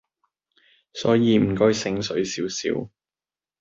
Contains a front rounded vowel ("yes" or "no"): no